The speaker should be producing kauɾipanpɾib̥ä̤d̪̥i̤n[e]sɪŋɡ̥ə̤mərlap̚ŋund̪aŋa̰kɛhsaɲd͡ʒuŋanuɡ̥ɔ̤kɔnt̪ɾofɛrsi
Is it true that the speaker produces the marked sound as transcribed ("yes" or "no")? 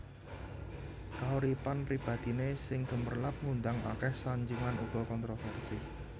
yes